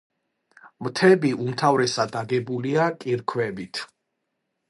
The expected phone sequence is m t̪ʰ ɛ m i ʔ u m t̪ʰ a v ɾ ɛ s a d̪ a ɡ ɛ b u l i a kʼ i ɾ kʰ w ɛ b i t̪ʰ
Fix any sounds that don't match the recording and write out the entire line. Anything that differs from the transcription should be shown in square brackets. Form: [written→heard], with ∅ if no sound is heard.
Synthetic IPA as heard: m t̪ʰ ɛ [m→b] i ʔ u m t̪ʰ a v ɾ ɛ s a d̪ a ɡ ɛ b u l i a kʼ i ɾ kʰ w ɛ b i t̪ʰ